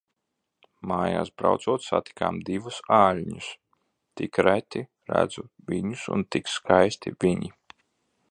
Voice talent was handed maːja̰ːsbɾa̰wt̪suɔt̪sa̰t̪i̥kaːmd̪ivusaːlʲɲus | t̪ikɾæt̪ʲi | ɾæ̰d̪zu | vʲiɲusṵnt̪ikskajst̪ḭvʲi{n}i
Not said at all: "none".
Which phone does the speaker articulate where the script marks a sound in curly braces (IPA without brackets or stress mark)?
ɲ